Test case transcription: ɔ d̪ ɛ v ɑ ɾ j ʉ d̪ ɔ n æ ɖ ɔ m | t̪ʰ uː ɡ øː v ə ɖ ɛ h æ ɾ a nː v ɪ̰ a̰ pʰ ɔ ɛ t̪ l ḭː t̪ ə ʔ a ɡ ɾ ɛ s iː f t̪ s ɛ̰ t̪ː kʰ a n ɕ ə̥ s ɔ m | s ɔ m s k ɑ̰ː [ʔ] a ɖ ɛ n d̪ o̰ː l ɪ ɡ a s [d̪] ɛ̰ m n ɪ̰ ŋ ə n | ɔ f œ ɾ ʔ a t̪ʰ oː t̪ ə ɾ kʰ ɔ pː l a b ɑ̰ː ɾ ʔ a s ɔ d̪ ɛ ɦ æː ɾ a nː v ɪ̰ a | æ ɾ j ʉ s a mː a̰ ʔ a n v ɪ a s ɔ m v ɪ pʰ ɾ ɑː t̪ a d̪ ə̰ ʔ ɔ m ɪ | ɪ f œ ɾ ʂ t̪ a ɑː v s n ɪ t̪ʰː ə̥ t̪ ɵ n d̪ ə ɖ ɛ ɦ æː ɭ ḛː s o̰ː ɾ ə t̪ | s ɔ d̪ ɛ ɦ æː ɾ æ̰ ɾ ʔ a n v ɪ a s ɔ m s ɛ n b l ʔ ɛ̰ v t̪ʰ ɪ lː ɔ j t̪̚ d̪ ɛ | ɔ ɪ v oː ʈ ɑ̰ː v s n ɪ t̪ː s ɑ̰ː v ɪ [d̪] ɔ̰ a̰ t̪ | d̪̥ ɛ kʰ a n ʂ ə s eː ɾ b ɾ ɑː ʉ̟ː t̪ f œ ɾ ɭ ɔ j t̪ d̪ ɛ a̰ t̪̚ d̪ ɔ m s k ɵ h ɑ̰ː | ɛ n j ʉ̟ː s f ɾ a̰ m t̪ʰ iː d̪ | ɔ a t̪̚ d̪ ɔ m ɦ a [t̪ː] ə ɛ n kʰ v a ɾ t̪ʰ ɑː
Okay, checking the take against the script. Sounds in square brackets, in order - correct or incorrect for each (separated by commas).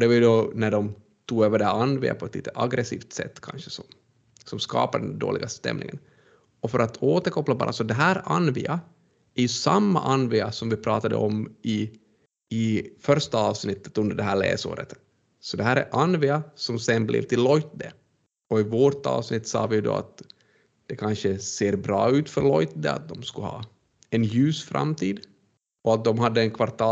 incorrect, incorrect, correct, incorrect